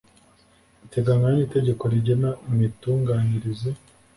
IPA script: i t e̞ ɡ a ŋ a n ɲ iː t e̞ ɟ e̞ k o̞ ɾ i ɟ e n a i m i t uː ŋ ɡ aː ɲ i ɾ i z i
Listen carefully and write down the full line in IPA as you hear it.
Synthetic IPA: i t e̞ ɡ a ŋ a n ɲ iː t e̞ ɟ e̞ k o̞ ɾ i ɟ e n a i m i t uː ŋ ɡ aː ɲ i ɾ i z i